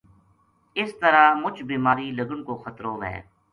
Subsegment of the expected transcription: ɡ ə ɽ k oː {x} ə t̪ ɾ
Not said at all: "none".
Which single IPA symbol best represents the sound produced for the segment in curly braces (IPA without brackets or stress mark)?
x